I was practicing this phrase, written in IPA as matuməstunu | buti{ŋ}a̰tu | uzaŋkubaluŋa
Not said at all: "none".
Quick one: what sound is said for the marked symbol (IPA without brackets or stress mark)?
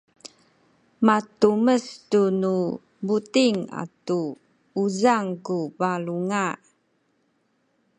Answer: ŋ